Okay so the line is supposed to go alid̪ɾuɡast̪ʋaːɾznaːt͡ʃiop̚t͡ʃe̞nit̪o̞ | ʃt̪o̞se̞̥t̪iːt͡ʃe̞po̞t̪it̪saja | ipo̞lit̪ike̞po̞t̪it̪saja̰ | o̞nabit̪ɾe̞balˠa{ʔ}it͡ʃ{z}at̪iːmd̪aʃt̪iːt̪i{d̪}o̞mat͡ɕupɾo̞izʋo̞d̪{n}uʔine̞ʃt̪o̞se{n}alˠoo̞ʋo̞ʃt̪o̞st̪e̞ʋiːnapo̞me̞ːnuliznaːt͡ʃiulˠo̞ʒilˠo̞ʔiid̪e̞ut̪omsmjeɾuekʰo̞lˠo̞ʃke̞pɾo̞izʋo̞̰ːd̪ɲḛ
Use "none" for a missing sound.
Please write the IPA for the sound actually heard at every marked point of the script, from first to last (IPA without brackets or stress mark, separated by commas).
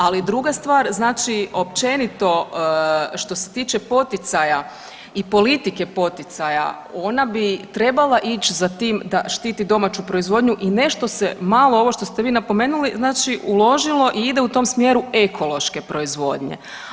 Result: ʔ, z, d̪, ɲ, m